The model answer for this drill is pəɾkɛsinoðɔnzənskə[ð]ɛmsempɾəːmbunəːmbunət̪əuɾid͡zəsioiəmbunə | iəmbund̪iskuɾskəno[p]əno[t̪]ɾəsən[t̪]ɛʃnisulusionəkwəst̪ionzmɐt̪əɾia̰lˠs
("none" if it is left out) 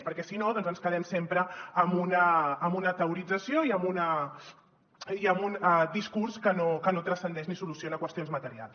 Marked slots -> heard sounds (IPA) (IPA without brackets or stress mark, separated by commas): ð, k, t̪, d̪